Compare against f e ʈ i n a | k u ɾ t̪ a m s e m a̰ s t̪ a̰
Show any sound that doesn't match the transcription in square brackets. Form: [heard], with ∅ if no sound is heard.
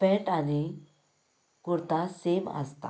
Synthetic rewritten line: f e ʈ [a] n [i] | k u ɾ t̪ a [∅] s e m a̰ s t̪ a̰